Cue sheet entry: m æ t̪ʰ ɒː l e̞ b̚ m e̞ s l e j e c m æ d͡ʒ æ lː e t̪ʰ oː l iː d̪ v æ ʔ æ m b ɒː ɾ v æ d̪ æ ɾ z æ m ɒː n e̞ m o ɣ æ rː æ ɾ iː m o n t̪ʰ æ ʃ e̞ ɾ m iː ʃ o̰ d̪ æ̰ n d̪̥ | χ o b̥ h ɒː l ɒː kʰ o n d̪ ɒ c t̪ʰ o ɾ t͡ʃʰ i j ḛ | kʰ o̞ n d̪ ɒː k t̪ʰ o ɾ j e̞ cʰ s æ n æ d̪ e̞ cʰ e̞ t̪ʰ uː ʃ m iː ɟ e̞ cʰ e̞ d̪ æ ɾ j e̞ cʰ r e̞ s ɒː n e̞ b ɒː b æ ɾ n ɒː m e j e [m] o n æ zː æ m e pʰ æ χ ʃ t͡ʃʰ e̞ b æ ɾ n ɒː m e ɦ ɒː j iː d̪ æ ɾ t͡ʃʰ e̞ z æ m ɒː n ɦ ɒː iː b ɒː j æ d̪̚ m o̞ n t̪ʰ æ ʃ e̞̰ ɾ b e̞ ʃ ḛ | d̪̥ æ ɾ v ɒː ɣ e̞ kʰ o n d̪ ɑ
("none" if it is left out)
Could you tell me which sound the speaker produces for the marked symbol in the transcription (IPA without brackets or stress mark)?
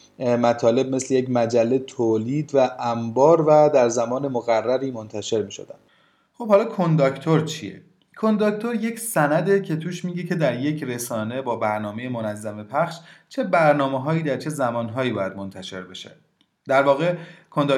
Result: m